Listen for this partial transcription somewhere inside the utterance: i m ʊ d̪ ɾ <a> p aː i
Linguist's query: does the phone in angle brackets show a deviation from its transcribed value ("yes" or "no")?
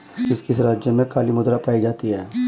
no